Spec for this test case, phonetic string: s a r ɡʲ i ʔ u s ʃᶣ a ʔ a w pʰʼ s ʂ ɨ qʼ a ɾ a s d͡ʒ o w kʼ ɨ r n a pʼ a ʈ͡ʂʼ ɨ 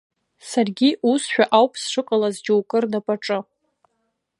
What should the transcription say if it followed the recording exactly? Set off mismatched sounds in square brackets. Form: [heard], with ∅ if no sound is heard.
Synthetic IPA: s a r ɡʲ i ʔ u s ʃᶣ a ʔ a w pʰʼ s ʂ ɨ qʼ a [l] a [z] d͡ʒ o w kʼ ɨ r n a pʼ a ʈ͡ʂʼ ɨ